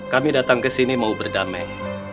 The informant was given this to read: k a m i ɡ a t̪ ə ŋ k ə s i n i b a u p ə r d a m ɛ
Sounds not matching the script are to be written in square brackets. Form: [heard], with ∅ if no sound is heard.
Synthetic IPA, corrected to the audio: k a m i [d] a t̪ [a] ŋ k ə s i n i [m] a u [b] ə r d a m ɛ